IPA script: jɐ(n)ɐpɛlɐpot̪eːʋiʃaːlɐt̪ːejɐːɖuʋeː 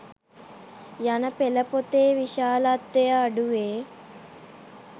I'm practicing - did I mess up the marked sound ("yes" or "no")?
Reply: no